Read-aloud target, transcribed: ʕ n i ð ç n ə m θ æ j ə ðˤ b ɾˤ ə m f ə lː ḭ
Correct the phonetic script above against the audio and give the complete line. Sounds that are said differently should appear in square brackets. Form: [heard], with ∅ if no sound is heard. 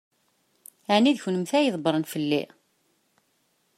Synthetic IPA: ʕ n i ð ç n ə m θ æ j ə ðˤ b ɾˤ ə [n] f ə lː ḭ